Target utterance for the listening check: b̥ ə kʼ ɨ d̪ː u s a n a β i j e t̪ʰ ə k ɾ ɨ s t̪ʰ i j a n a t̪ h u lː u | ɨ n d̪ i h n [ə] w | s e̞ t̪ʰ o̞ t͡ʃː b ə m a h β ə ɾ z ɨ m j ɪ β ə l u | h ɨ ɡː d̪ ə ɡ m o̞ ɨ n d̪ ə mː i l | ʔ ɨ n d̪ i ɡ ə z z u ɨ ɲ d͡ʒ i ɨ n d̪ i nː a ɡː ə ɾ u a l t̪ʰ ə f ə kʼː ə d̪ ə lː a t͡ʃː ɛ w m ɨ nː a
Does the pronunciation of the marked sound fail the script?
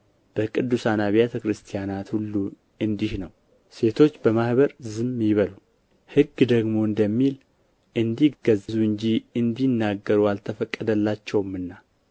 no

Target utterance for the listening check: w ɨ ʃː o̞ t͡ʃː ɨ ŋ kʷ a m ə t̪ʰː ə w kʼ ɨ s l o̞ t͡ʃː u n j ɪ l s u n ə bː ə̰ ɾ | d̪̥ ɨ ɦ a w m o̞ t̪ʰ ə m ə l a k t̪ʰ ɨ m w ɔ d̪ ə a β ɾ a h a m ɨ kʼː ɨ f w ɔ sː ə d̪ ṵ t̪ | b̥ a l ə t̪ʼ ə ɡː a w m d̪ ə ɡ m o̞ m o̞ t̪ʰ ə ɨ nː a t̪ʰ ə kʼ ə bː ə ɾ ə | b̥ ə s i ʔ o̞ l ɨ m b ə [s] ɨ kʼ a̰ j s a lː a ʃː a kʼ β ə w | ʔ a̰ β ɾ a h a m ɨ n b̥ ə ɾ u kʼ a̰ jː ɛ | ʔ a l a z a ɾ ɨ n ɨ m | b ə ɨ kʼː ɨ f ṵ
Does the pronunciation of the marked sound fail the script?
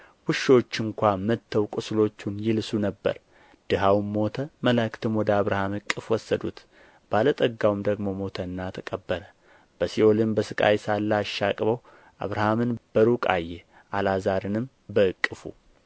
no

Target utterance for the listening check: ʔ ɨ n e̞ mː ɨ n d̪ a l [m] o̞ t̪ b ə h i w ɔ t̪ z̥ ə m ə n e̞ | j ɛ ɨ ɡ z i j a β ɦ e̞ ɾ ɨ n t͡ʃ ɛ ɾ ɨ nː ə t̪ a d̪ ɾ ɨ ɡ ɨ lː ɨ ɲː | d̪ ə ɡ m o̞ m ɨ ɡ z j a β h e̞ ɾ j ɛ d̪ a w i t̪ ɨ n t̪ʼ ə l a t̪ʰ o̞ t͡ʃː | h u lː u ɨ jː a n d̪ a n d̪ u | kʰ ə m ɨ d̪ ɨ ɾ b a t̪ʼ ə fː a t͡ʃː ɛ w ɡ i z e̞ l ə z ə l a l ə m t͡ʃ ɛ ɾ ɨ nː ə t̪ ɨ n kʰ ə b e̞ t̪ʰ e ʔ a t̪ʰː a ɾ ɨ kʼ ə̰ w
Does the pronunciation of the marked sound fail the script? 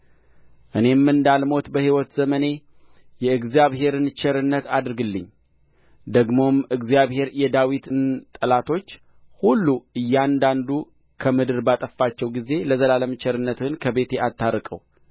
no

